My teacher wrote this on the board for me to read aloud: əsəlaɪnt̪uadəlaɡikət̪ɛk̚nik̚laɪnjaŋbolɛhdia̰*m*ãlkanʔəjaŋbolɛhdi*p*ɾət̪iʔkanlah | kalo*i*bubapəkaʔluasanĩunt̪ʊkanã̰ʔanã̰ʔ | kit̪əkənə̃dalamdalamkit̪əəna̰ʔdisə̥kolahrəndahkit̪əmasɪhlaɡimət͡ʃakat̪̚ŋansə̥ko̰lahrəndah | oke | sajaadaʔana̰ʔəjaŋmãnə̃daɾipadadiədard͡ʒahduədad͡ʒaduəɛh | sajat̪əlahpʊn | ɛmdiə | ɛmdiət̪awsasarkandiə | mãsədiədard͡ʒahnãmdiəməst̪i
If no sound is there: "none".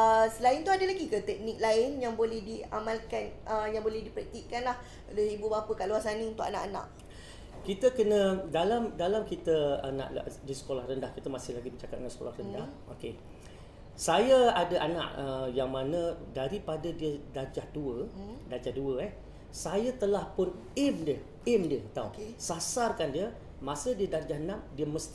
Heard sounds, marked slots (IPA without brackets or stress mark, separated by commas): m, p, i